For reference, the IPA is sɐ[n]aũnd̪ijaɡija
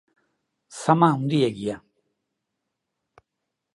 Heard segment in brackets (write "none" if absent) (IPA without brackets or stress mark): m